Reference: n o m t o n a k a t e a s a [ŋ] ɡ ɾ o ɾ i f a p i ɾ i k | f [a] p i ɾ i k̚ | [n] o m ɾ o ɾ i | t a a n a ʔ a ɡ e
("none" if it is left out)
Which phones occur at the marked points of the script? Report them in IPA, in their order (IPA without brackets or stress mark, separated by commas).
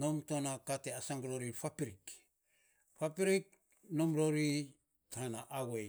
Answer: ŋ, a, n